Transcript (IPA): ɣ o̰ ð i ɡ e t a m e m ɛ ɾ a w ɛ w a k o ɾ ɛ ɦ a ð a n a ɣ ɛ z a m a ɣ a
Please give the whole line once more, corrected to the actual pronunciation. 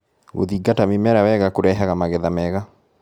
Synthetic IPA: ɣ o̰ ð i ɡ a t a m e m ɛ ɾ a w ɛ ɣ a k o ɾ ɛ ɦ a ɣ a m a ɣ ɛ ð a m ɛ ɣ a